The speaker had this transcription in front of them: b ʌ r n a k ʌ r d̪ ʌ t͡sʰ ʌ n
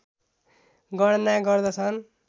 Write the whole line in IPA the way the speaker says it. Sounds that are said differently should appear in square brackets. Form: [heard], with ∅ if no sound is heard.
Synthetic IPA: [ɡ] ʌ [ɽ] n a [ɡ] ʌ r d̪ ʌ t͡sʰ ʌ n